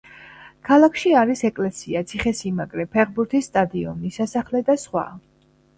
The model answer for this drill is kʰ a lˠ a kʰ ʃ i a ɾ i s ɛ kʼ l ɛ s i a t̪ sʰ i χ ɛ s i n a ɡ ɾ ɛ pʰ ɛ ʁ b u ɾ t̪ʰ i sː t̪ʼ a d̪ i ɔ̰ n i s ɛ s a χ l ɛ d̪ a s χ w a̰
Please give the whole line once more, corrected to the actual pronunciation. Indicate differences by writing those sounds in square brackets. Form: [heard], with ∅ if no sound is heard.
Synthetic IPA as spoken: kʰ a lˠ a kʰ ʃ i a ɾ i s ɛ kʼ l ɛ s i a t̪ sʰ i χ ɛ s i [m] a ɡ ɾ ɛ pʰ ɛ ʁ b u ɾ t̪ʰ i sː t̪ʼ a d̪ i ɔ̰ n i s [a] s a χ l ɛ d̪ a s χ w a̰